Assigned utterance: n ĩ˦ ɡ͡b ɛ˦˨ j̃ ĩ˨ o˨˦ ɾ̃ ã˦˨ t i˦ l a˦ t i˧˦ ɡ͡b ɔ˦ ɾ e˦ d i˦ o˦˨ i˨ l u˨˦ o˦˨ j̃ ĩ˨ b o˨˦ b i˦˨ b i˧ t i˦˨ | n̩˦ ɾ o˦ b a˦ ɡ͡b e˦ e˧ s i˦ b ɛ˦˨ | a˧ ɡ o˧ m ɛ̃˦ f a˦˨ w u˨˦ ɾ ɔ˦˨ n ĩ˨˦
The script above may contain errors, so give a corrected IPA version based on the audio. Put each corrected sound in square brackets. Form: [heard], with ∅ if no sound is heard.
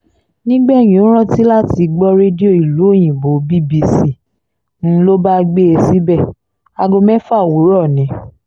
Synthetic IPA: n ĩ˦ ɡ͡b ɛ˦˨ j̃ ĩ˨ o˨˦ ɾ̃ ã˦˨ t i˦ l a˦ t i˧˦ ɡ͡b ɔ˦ ɾ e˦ d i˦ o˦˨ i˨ l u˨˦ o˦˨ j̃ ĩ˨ b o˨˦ b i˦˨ b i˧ [s] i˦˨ | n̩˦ [l] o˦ b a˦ ɡ͡b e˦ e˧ s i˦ b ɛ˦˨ | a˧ ɡ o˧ m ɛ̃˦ f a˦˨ w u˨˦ ɾ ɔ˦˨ n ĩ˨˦